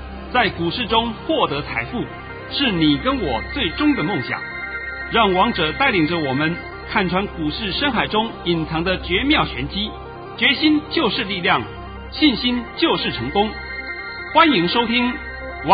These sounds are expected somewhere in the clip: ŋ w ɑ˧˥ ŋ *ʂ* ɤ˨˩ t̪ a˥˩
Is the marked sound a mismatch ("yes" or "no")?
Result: yes